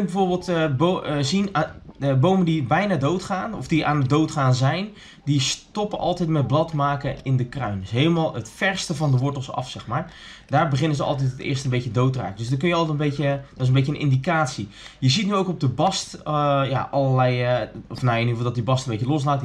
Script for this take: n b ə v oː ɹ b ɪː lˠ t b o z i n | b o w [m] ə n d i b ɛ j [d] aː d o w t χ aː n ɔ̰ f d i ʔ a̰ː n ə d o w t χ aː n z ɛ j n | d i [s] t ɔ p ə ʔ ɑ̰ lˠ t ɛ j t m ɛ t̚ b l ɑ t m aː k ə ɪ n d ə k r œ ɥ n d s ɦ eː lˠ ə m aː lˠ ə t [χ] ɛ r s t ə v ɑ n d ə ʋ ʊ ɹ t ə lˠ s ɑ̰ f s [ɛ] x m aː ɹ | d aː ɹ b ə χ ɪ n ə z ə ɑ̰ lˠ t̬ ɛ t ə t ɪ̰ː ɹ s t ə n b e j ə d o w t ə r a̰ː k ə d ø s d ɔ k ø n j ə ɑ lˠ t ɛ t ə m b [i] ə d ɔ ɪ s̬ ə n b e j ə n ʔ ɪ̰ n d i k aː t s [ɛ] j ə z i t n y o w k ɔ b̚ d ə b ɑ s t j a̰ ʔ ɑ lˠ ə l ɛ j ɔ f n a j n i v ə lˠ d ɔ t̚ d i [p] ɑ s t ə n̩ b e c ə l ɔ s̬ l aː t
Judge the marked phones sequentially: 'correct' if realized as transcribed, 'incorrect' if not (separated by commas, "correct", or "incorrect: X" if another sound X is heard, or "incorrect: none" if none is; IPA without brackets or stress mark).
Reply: correct, incorrect: n, correct, incorrect: f, correct, incorrect: e, incorrect: i, incorrect: b